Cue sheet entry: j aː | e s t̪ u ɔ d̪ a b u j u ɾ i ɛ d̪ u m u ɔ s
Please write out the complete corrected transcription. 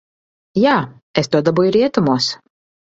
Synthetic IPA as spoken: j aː | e s t̪ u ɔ d̪ a b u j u ɾ i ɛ t̪ u m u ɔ s